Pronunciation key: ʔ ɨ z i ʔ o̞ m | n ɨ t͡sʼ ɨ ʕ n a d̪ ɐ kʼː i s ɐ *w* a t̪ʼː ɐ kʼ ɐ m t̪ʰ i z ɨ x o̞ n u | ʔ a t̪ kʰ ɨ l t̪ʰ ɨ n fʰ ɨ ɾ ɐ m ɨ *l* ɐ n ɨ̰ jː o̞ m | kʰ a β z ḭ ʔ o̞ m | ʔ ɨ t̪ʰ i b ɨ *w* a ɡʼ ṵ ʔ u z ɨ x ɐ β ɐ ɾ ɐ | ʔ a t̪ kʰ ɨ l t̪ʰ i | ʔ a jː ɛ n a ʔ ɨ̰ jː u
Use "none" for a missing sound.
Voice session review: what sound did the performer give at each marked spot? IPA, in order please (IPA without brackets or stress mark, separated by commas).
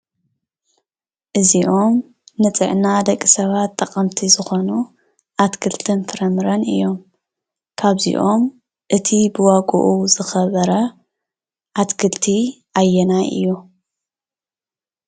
β, ɾ, w